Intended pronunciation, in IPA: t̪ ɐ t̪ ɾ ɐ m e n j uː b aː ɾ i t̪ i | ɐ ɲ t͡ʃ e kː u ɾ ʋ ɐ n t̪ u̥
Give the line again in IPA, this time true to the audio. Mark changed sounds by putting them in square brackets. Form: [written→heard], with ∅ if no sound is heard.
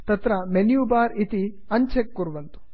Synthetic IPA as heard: t̪ ɐ t̪ ɾ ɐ m e n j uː b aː ɾ i t̪ i | ɐ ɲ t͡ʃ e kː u ɾ ʋ ɐ n t̪ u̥